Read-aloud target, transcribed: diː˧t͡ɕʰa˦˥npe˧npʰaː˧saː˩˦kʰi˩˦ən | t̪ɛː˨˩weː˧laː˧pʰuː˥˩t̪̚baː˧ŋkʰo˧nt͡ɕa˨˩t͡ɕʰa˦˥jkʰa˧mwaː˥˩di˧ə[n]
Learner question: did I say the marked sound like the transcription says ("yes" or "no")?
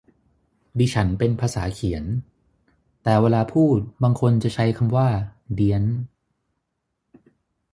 yes